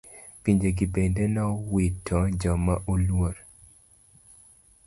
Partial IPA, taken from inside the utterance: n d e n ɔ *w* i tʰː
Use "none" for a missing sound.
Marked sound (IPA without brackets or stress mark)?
w